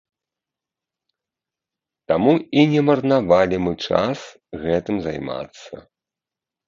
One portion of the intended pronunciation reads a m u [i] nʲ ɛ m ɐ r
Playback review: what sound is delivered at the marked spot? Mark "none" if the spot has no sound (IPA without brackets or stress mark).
i